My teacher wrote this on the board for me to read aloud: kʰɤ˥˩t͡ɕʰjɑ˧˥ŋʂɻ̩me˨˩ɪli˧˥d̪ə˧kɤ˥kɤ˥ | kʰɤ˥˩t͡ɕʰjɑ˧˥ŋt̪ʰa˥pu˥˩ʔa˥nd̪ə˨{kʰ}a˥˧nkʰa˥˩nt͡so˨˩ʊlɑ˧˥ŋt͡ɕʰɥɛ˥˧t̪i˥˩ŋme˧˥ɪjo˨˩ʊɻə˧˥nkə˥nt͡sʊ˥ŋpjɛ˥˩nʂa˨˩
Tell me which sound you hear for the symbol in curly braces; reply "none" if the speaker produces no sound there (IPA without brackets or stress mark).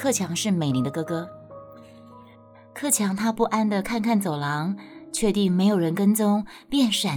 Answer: kʰ